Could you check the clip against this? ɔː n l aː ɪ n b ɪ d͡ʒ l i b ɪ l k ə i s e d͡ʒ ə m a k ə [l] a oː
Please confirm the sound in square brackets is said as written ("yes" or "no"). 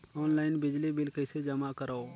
no